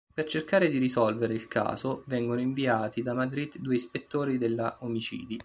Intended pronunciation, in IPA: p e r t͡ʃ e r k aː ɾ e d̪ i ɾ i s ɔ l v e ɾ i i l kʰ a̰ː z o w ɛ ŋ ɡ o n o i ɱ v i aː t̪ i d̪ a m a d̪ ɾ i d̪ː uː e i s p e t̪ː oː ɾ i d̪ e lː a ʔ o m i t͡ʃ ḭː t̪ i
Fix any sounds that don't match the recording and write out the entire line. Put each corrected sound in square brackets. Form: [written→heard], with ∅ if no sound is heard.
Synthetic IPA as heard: p e r t͡ʃ e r k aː ɾ e d̪ i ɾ i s ɔ l v e ɾ [i→e] i l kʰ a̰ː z o [w→v] ɛ ŋ ɡ o n o i ɱ v i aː t̪ i d̪ a m a d̪ ɾ i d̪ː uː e i s p e t̪ː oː ɾ i d̪ e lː a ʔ o m i t͡ʃ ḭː [t̪→d̪] i

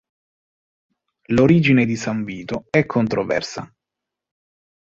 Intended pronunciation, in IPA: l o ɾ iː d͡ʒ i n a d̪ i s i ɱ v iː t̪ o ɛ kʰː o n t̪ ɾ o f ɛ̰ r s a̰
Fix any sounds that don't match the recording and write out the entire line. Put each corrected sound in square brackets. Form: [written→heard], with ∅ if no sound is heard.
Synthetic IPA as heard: l o ɾ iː d͡ʒ i n [a→e] d̪ i s [i→a] ɱ v iː t̪ o ɛ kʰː o n t̪ ɾ o [f→v] ɛ̰ r s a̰

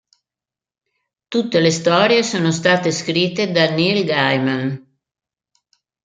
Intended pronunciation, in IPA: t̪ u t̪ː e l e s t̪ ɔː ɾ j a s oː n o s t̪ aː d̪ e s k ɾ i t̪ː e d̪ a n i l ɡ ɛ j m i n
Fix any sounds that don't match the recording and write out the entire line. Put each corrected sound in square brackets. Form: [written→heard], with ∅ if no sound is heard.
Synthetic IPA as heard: t̪ u t̪ː e l e s t̪ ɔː ɾ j [a→e] s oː n o s t̪ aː [d̪→t̪] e s k ɾ i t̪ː e d̪ a n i l ɡ [ɛ→a] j m [i→a] n

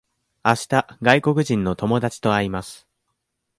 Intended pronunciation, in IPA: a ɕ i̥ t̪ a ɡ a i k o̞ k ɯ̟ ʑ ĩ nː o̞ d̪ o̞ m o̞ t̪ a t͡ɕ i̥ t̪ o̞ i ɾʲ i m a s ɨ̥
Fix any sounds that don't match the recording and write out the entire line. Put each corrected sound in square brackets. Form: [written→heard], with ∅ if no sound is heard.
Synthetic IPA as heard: a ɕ i̥ t̪ a ɡ a i k o̞ k ɯ̟ ʑ ĩ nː o̞ [d̪→t̪] o̞ m o̞ [t̪→d̪] a t͡ɕ i̥ t̪ o̞ [i→a] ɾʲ i m a s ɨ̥

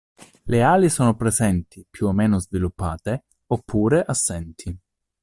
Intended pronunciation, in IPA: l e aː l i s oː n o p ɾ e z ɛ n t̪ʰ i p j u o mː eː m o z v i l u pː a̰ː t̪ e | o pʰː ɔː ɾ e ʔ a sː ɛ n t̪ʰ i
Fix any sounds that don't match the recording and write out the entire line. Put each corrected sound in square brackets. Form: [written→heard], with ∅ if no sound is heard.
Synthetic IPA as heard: l e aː l i s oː n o p ɾ e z ɛ n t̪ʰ i p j u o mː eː [m→n] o z v i l u pː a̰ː t̪ e | o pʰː [ɔː→uː] ɾ e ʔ a sː ɛ n t̪ʰ i

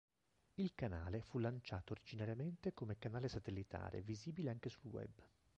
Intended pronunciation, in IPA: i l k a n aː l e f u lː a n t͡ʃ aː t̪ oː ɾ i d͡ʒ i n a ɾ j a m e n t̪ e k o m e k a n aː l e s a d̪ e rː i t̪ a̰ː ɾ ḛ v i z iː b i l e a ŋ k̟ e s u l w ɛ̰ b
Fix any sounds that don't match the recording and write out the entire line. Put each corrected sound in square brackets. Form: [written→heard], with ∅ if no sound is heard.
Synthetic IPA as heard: i l k a n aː l e f u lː a n t͡ʃ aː t̪ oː ɾ i d͡ʒ i n a ɾ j a m e n t̪ e k o m e k a n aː l e s a [d̪→t̪] e [rː→lː] i t̪ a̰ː ɾ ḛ v i z iː b i l e a ŋ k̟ e s u l w ɛ̰ b

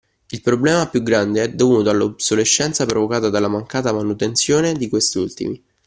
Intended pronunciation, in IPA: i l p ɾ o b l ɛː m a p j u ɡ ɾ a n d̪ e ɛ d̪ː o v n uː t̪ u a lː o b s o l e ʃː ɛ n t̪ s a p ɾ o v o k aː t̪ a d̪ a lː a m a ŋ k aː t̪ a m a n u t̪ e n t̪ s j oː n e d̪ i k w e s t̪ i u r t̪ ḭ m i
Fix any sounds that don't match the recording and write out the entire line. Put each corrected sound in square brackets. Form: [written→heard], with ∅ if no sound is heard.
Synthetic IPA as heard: i l p ɾ o b l ɛː m a p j u ɡ ɾ a n d̪ e ɛ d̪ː o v n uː t̪ [u→o] a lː o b s o l e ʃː ɛ n t̪ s a p ɾ o v o k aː t̪ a d̪ a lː a m a ŋ k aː t̪ a m a n u t̪ e n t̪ s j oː n e d̪ i k w e s t̪ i u [r→l] t̪ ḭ m i

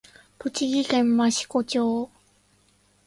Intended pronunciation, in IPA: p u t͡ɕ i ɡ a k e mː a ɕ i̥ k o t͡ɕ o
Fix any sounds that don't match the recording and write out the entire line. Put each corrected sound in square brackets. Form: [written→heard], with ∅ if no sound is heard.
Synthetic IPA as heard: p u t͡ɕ i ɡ [a→i] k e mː a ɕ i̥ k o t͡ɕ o

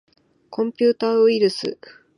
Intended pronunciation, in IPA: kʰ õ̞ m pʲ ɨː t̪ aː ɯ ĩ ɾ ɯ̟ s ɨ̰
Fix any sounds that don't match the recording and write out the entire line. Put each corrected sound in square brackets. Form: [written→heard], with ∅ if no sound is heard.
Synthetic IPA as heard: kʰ õ̞ m pʲ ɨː t̪ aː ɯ [ĩ→i] ɾ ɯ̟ s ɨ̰

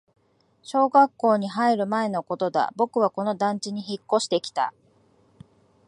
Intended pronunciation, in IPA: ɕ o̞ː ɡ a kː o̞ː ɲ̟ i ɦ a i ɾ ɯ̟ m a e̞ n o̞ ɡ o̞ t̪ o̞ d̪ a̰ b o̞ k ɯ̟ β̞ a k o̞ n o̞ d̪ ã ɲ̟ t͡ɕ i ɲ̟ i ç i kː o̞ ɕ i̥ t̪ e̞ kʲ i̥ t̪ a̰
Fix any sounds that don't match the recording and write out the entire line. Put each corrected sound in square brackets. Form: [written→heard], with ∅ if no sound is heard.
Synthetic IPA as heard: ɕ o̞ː ɡ a kː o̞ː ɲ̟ i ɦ a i ɾ ɯ̟ m a e̞ n o̞ [ɡ→k] o̞ t̪ o̞ d̪ a̰ b o̞ k ɯ̟ β̞ a k o̞ n o̞ d̪ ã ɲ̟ t͡ɕ i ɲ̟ i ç i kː o̞ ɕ i̥ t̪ e̞ kʲ i̥ t̪ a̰

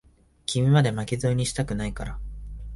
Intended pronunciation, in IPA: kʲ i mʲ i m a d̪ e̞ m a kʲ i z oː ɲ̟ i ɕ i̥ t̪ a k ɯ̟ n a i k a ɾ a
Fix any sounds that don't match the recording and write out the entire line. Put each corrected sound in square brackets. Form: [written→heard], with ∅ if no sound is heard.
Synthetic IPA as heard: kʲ i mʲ i m a d̪ e̞ m a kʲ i z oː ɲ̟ i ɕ i̥ t̪ a k ɯ̟ n a i k a ɾ a

